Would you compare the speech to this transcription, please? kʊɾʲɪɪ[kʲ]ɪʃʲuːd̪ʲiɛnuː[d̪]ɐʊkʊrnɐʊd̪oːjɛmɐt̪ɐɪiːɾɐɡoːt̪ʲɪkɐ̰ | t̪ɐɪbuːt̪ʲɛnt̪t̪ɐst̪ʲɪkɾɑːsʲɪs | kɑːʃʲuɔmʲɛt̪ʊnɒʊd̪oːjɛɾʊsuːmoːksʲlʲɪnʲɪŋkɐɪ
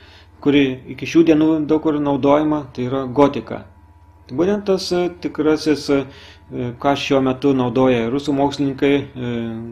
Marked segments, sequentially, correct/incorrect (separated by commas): correct, correct